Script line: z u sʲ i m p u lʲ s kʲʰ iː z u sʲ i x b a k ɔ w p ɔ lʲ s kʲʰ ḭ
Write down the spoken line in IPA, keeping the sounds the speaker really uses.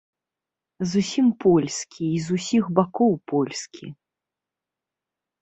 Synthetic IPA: z u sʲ i m p ɔ lʲ s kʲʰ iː z u sʲ i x b a k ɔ w p ɔ lʲ s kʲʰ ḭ